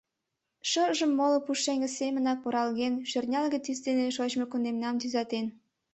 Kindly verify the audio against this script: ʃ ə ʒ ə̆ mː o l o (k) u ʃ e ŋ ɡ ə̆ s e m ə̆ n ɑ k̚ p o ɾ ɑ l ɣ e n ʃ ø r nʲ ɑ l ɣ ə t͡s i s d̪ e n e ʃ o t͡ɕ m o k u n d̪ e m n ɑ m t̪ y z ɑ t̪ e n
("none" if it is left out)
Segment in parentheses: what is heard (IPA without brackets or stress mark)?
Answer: p